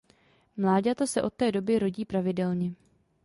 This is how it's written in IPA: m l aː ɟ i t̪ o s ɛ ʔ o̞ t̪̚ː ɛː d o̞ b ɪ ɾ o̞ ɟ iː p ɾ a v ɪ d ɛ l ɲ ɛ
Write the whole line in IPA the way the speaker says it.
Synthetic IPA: m l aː ɟ a t̪ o s ɛ ʔ o̞ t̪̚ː ɛː d o̞ b ɪ ɾ o̞ ɟ iː p ɾ a v ɪ d ɛ l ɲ ɛ